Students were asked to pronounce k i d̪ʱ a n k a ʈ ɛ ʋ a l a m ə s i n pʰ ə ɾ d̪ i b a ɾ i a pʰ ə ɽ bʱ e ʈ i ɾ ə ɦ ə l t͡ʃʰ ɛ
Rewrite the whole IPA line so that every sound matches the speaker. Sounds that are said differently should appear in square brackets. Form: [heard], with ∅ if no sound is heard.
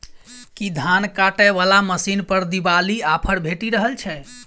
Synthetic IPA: k i d̪ʱ a n k a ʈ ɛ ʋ a l a m ə s i n [p] ə ɾ d̪ i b a [l] i a pʰ ə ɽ bʱ e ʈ i ɾ ə ɦ ə l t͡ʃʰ ɛ